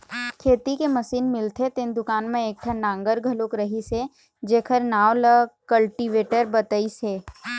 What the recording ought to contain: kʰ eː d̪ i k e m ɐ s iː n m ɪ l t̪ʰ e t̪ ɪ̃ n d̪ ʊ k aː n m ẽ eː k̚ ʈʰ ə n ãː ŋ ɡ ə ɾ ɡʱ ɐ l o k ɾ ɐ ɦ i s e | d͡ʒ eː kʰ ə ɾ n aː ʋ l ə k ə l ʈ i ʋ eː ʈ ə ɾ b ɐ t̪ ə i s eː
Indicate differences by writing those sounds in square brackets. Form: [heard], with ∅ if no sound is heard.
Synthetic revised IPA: kʰ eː [t̪] i k e m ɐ s iː n m ɪ l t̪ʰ e t̪ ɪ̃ n d̪ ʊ k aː n m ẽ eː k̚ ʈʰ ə n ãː ŋ ɡ ə ɾ ɡʱ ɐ l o k ɾ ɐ ɦ i s e | d͡ʒ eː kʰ ə ɾ n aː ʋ l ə k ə l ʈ i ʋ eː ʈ ə ɾ b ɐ t̪ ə i s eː